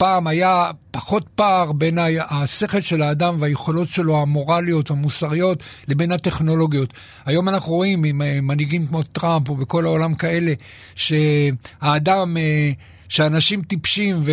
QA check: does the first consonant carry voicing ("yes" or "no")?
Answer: no